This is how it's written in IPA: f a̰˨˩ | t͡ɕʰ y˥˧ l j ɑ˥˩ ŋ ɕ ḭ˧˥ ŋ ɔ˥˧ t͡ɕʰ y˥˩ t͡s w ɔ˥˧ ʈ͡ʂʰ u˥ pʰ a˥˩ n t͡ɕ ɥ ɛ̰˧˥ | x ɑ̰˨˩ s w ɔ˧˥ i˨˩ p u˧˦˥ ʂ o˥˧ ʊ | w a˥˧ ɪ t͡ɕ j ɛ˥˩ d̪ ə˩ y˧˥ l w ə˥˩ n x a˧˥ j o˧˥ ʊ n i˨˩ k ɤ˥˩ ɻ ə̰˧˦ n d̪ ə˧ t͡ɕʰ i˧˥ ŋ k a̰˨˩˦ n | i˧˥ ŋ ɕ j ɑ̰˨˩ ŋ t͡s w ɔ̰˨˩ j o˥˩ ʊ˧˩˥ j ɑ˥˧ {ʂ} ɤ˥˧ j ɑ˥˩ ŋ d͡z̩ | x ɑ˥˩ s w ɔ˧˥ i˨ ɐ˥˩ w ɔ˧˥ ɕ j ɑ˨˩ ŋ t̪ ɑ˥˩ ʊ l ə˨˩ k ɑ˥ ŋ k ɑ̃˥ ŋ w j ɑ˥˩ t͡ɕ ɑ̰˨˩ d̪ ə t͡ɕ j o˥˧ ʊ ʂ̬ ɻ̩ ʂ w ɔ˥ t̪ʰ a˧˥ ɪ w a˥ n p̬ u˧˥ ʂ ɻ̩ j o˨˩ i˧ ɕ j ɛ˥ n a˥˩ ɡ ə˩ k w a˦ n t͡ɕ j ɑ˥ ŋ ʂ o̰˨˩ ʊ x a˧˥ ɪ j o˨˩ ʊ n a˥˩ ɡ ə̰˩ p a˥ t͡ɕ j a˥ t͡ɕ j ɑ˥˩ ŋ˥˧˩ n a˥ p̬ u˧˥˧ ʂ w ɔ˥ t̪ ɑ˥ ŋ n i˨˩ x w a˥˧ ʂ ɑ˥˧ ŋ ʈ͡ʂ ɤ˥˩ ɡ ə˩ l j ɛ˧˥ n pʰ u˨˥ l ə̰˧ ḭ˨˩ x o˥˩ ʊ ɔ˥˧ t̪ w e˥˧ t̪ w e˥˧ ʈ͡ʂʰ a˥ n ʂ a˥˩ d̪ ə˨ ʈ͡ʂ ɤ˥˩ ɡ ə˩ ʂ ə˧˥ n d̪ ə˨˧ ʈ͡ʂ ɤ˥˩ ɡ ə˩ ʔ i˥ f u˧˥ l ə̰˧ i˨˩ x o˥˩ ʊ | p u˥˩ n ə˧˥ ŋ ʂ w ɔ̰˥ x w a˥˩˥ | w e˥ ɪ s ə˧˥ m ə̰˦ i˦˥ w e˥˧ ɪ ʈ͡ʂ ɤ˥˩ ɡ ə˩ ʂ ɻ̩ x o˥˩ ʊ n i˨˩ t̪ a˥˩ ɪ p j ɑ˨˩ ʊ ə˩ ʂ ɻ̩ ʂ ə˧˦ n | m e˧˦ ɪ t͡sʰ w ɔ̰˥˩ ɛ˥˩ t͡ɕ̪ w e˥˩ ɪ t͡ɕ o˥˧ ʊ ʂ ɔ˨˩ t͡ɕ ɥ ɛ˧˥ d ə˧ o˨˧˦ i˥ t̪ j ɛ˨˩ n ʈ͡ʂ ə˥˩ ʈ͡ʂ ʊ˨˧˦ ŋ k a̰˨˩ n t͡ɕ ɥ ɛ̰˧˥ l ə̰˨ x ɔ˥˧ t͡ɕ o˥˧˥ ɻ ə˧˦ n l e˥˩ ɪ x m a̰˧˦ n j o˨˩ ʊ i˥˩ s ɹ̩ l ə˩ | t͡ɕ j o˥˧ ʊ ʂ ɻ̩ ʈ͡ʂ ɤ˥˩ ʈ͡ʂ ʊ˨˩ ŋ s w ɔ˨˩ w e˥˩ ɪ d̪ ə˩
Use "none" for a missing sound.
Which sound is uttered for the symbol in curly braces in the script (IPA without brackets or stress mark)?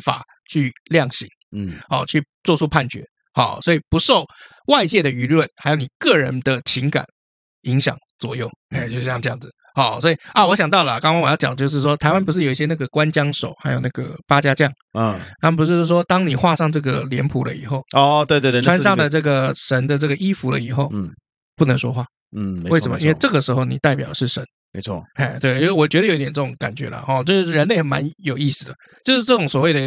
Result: ʈ͡ʂ